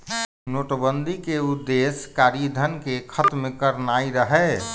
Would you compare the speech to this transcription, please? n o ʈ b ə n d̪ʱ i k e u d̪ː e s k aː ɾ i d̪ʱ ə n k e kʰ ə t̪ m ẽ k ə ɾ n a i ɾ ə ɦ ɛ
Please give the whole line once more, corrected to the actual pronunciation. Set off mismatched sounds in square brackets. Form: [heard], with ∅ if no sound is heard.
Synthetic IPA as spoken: n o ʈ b ə n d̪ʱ i k e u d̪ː e s k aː ɾ i d̪ʱ ə n k e kʰ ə t̪ m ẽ k ə ɾ n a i ɾ ə ɦ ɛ